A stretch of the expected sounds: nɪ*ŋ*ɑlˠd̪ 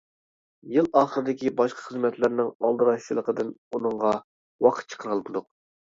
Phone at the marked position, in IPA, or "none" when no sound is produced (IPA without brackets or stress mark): ŋ